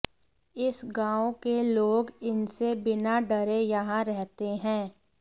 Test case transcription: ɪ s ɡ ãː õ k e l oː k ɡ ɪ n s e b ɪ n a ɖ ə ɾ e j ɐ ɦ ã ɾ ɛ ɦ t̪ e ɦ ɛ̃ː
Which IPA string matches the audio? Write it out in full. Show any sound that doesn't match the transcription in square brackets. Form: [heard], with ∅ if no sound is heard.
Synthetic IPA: ɪ s ɡ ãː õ k e l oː [∅] ɡ ɪ n s e b ɪ n a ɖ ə ɾ e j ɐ ɦ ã ɾ ɛ ɦ t̪ e ɦ ɛ̃ː